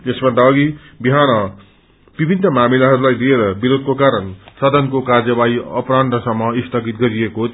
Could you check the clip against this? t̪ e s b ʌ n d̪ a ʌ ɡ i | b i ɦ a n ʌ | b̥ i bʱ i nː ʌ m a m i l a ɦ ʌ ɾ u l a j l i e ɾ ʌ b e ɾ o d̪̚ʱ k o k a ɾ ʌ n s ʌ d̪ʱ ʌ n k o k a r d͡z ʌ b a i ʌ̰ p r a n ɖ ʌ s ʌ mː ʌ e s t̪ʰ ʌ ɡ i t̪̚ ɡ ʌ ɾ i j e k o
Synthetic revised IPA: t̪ e s b ʌ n d̪ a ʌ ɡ i | b i ɦ a n ʌ | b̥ i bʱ i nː ʌ m a m i l a ɦ ʌ ɾ u l a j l i e ɾ ʌ b i ɾ o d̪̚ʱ k o k a ɾ ʌ n s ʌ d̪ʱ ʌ n k o k a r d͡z ʌ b a i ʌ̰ p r a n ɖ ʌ s ʌ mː ʌ i s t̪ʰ ʌ ɡ i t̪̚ ɡ ʌ ɾ i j e k o

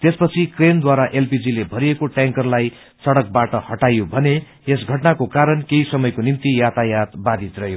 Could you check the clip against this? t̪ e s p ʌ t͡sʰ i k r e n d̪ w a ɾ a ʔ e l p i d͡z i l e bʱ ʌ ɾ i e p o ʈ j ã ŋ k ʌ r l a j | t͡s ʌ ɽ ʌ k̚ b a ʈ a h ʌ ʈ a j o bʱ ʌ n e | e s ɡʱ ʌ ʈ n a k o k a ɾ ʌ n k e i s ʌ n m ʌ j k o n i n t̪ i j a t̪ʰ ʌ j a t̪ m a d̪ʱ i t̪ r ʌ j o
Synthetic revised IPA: t̪ e s p ʌ t͡sʰ i k r e n d̪ w a ɾ a ʔ e l p i d͡z i l e bʱ ʌ ɾ i e k o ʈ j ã ŋ k ʌ r l a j | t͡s ʌ ɽ ʌ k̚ b a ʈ ʌ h ʌ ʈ a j o bʱ ʌ n e | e s ɡʱ ʌ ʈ n a k o k a ɾ ʌ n k e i s ʌ m ʌ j k o n i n t̪ i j a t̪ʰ a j a t̪ b a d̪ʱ i t̪ r ʌ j o

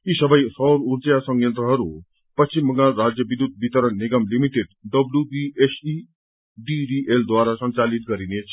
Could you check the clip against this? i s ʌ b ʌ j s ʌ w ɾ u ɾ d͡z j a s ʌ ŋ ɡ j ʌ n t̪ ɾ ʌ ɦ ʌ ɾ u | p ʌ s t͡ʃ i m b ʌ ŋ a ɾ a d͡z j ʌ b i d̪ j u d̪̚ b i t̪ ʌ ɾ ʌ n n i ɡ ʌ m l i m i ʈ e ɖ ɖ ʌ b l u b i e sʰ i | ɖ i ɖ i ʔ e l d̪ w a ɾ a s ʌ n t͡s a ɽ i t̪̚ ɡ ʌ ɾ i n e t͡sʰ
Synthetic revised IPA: i s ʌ b ʌ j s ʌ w ɾ u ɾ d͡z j a s ʌ ŋ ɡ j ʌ n t̪ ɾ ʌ ɦ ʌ ɾ u | p ʌ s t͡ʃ i m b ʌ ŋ a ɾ a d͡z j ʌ b i d̪ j u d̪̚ b i t̪ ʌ ɾ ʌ n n i ɡ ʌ m l i m i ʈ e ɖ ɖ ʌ b l u b i e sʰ i | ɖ i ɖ i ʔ e l d̪ w a ɾ a s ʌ n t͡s a l i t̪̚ ɡ ʌ ɾ i n e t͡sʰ

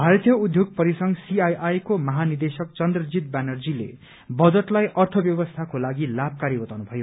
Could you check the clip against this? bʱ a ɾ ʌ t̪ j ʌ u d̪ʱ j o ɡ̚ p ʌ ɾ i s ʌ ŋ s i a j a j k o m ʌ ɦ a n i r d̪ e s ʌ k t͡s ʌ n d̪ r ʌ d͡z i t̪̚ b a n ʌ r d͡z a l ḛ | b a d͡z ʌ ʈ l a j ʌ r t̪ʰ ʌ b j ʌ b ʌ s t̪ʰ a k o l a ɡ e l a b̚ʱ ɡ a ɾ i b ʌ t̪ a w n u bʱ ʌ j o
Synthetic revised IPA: bʱ a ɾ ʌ t̪ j ʌ u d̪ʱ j o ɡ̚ p ʌ ɾ i s ʌ ŋ s i a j a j k o m ʌ ɦ a n i r d̪ e s ʌ k t͡s ʌ n d̪ r ʌ d͡z i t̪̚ b a n ʌ r d͡z i l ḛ | b ʌ d͡z ʌ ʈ l a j ʌ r t̪ʰ ʌ b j ʌ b ʌ s t̪ʰ a k o l a ɡ i l a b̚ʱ k a ɾ i b ʌ t̪ a w n u bʱ ʌ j o

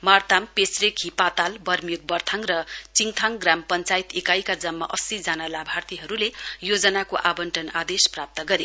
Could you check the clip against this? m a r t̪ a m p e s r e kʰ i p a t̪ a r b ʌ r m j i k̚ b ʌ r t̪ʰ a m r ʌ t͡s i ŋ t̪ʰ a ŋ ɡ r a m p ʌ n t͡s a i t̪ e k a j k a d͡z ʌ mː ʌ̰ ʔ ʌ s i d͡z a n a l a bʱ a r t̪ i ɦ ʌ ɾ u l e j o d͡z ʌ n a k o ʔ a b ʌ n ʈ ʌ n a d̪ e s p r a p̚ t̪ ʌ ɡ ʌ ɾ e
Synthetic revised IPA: m a r t̪ a m p e s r e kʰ i p a t̪ a l b ʌ r m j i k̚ b ʌ r t̪ʰ a ŋ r ʌ t͡s i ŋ t̪ʰ a ŋ ɡ r a m p ʌ n t͡s a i t̪ e k a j k a d͡z ʌ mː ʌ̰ ʔ ʌ s i d͡z a n a l a bʱ a r t̪ i ɦ ʌ ɾ u l e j o d͡z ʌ n a k o ʔ a b ʌ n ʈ ʌ n a d̪ e s p r a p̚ t̪ ʌ ɡ ʌ ɾ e

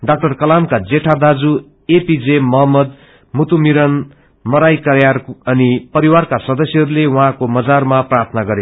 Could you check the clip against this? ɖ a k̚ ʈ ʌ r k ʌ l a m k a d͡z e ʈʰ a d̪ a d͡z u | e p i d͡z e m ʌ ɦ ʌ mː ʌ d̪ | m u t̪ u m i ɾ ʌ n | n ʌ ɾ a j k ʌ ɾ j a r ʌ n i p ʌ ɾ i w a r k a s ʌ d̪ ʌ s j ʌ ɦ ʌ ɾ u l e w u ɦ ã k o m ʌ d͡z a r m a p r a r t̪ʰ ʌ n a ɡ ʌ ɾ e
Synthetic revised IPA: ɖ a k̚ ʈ ʌ r k ʌ l a m k a d͡z e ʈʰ a d̪ a d͡z u | e p i d͡z e m ʌ ɦ ʌ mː ʌ d̪ | m u t̪ u m i ɾ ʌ n | m ʌ ɾ a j k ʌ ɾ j a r ʌ n i p ʌ ɾ i w a r k a s ʌ d̪ ʌ s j ʌ ɦ ʌ ɾ u l e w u ɦ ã k o m ʌ d͡z a r m a p r a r t̪ʰ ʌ n a ɡ ʌ ɾ e

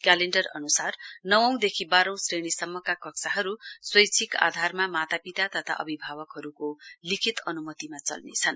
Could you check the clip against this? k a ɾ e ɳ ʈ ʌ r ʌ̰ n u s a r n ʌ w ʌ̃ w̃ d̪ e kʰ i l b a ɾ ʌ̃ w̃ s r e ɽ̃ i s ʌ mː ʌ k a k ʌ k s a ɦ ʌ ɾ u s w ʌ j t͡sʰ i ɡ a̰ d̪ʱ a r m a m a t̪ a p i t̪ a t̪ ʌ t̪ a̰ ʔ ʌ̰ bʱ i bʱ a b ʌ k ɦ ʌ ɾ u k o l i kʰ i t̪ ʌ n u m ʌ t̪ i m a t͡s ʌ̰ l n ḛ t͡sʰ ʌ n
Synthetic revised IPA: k a l e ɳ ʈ ʌ r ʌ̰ n u s a r n ʌ w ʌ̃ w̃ d̪ e kʰ i b a ɾ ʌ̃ w̃ s r e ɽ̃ i s ʌ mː ʌ k a k ʌ k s a ɦ ʌ ɾ u s w ʌ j t͡sʰ i k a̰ d̪ʱ a r m a m a t̪ a p i t̪ a t̪ ʌ t̪ʰ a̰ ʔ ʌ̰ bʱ i bʱ a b ʌ k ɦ ʌ ɾ u k o l i kʰ i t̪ ʌ n u m ʌ t̪ i m a t͡s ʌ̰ l n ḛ t͡sʰ ʌ n

